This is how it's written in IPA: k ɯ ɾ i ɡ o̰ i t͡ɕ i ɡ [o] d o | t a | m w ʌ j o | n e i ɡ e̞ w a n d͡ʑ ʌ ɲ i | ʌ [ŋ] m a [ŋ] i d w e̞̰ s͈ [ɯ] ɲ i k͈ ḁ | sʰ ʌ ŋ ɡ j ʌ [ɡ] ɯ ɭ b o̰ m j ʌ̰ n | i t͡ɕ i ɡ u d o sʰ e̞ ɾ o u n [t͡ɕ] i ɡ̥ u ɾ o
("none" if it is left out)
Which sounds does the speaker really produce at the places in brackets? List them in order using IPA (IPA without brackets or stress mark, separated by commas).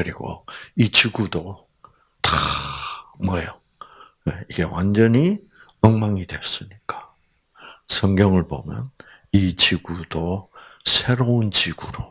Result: u, ŋ, ŋ, ɯ, ŋ, t͡ɕ